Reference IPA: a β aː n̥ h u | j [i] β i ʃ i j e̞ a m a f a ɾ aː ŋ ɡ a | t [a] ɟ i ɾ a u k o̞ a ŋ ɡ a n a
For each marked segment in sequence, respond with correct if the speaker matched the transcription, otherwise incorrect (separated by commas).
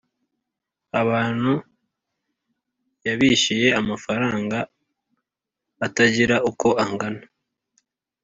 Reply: incorrect, correct